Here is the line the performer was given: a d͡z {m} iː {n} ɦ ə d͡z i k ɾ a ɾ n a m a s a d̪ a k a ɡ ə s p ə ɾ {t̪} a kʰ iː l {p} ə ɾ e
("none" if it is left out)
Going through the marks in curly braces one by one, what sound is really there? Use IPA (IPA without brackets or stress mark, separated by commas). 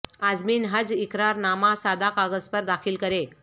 m, n, d̪, k